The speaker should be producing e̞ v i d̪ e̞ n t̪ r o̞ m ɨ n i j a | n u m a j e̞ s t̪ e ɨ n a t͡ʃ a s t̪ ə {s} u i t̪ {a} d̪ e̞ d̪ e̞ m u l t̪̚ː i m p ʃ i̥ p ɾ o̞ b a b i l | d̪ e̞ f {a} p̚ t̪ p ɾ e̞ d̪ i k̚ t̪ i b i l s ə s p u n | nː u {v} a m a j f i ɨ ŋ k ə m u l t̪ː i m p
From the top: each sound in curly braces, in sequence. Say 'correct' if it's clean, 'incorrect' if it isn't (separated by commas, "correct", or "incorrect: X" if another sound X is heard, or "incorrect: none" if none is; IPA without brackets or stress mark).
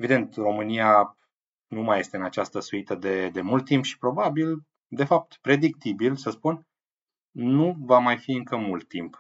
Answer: correct, incorrect: ə, correct, correct